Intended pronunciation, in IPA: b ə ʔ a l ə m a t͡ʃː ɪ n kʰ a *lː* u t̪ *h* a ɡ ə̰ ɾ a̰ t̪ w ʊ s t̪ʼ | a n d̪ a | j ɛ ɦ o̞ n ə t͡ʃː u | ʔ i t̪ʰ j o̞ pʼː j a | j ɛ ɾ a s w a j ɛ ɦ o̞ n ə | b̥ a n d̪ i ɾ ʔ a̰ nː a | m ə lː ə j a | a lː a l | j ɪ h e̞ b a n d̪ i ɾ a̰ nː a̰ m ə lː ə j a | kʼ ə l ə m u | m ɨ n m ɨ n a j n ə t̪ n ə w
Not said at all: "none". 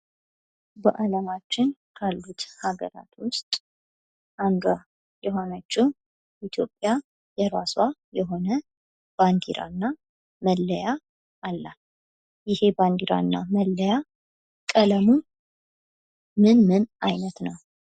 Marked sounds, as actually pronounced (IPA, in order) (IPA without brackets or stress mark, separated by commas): lː, h